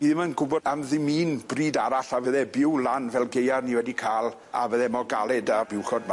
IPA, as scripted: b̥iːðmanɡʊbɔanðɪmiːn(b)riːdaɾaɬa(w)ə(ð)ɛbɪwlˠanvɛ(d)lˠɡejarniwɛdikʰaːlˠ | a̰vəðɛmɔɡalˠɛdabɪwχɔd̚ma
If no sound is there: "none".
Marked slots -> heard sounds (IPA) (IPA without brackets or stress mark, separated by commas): b, v, ð, none